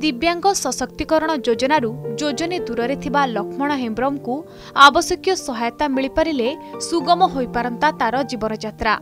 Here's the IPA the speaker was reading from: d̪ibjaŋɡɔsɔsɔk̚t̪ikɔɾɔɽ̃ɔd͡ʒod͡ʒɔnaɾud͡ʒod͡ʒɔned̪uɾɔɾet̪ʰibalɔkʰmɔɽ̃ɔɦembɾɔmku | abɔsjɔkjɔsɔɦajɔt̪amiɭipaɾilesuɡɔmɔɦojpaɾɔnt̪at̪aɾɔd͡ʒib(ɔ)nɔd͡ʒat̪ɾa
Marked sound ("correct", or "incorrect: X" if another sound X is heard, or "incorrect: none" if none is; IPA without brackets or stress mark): correct